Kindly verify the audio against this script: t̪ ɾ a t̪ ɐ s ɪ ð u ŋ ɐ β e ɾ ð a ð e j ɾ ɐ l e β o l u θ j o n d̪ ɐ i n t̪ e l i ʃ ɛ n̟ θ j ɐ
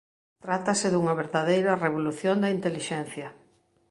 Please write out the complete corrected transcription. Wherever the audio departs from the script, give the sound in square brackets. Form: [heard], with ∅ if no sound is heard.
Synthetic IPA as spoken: t̪ ɾ a t̪ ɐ s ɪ ð u ŋ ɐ β e ɾ ð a ð e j ɾ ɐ [r] e β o l u θ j o n d̪ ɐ i n t̪ e l i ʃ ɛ n̟ θ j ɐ